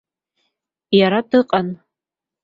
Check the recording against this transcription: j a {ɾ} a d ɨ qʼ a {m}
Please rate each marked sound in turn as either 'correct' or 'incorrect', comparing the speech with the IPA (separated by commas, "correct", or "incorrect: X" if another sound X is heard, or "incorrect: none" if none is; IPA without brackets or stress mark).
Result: correct, incorrect: n